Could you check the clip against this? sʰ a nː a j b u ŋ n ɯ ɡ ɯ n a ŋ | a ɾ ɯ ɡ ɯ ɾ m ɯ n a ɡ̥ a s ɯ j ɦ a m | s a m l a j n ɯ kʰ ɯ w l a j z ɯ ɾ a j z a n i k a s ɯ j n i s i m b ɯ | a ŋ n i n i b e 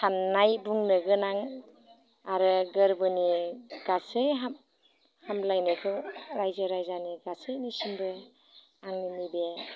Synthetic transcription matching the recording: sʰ a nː a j b u ŋ n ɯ ɡ ɯ n a ŋ | a ɾ ɯ ɡ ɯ ɾ b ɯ n i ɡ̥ a s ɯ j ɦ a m | h a m l a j n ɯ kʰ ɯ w ɾ a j z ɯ ɾ a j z a n i ɡ a s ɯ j n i s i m b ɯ | a ŋ n i n i b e